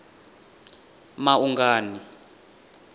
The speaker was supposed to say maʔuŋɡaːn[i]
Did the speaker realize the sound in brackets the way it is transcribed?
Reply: yes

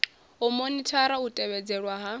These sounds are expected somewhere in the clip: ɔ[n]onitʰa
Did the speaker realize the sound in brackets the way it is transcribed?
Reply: no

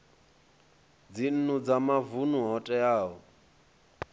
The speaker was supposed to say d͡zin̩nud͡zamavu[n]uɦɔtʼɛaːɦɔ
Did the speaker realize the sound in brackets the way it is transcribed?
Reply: yes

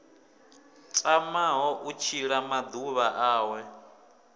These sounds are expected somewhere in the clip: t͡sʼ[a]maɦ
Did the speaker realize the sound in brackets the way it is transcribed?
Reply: yes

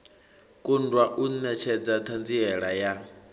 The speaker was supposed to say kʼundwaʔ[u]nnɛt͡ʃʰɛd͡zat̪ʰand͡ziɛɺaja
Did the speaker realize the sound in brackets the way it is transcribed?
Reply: yes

